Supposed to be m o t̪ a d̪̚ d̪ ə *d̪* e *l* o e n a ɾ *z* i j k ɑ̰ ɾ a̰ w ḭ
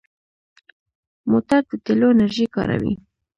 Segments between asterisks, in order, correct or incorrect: incorrect, correct, incorrect

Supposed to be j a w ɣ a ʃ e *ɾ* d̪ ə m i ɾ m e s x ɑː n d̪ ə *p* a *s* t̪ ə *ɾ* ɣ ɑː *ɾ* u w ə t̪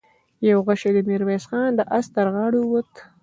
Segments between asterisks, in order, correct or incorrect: incorrect, incorrect, correct, correct, incorrect

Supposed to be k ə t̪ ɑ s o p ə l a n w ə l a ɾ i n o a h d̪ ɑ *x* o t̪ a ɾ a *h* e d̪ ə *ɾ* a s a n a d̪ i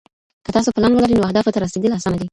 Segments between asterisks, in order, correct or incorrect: incorrect, incorrect, incorrect

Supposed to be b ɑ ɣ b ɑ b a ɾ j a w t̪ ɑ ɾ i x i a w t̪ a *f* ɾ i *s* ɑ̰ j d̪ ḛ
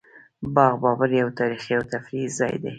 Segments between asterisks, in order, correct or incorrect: correct, incorrect

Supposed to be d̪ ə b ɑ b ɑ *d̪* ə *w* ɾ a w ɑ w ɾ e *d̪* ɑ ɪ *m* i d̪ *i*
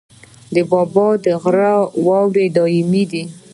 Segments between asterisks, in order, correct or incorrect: correct, incorrect, correct, correct, correct

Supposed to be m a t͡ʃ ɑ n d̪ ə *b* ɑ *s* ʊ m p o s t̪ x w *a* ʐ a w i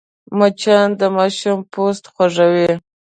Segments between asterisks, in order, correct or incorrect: incorrect, incorrect, correct

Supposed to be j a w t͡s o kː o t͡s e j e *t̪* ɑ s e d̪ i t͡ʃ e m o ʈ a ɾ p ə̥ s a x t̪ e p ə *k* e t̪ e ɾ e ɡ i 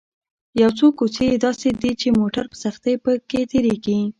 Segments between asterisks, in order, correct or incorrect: incorrect, correct

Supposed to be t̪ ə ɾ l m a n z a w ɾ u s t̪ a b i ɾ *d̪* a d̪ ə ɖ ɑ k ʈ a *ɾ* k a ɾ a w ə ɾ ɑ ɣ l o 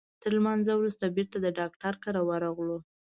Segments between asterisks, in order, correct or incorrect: incorrect, correct

